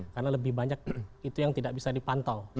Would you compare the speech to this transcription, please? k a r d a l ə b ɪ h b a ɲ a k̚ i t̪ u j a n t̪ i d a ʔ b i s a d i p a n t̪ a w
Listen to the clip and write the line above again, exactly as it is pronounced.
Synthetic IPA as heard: k a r n a l ə b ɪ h b a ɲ a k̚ i t̪ u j a ŋ t̪ i d a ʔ b i s a d i p a n t̪ a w